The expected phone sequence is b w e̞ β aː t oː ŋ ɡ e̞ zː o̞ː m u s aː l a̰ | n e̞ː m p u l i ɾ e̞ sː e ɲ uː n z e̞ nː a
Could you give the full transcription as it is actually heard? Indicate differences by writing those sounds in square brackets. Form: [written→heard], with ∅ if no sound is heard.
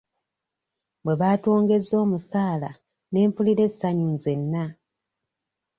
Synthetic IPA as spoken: b w e̞ β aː t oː ŋ ɡ e̞ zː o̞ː m u s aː l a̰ | n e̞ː m p u l i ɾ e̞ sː [e→a] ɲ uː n z e̞ nː a